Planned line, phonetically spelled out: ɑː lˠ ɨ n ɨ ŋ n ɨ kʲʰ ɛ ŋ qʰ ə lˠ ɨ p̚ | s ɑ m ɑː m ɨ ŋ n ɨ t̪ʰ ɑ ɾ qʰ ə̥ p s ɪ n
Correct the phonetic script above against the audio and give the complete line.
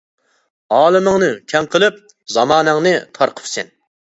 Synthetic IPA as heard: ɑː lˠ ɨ m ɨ ŋ n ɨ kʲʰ ɛ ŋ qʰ ə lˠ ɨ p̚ | z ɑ m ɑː n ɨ ŋ n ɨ t̪ʰ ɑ ɾ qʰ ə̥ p s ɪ n